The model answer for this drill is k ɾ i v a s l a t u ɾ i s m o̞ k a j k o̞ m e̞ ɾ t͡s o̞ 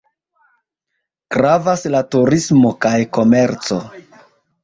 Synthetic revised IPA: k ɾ a v a s l a t u ɾ i s m o̞ k a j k o̞ m e̞ ɾ t͡s o̞